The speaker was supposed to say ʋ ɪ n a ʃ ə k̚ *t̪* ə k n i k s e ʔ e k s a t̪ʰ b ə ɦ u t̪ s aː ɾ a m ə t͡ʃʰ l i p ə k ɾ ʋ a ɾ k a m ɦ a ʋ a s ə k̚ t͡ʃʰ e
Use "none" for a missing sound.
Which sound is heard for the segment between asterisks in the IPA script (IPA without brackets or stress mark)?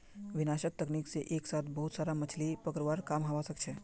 t̪